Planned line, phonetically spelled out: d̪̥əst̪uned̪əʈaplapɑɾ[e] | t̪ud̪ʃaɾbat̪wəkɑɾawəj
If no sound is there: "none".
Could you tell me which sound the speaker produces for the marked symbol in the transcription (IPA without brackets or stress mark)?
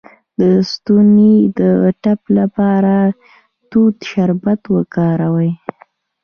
a